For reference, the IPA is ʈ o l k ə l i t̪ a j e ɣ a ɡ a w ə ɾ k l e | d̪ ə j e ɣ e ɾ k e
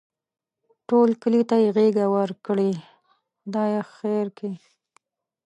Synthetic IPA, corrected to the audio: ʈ o l k ə l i t̪ a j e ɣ e ɡ a w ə ɾ k ɽ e | d̪ ɑ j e x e ɾ k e